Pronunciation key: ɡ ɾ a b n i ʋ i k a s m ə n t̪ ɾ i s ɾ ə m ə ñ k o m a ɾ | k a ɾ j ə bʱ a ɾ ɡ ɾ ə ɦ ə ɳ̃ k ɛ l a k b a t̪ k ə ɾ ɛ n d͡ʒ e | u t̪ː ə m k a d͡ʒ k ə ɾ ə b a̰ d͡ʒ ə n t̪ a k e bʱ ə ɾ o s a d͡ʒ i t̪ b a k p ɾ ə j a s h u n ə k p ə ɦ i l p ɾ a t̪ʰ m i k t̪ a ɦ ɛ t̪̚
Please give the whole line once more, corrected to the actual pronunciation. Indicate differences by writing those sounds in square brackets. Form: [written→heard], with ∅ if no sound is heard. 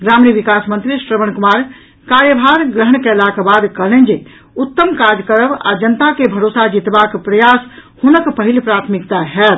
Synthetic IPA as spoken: ɡ ɾ a [b→m] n i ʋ i k a s m ə n t̪ ɾ i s ɾ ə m ə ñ k [o→u] m a ɾ | k a ɾ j ə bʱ a ɾ ɡ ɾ ə ɦ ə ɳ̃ k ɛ l a k b a [t̪→d̪] k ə [ɾ→l] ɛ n d͡ʒ e | u t̪ː ə m k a d͡ʒ k ə ɾ ə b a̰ d͡ʒ ə n t̪ a k e bʱ ə ɾ o s a d͡ʒ i t̪ b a k p ɾ ə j a s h u n ə k p ə ɦ i l p ɾ a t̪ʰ m i k t̪ a ɦ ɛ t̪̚